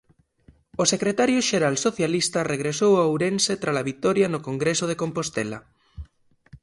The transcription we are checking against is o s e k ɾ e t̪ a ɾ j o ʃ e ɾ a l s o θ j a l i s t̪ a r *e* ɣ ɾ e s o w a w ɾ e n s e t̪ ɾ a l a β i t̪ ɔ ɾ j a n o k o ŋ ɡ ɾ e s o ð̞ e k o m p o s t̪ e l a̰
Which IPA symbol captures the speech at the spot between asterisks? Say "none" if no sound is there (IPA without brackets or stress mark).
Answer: e